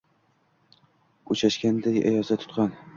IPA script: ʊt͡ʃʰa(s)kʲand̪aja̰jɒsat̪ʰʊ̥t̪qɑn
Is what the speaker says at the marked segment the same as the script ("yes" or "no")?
no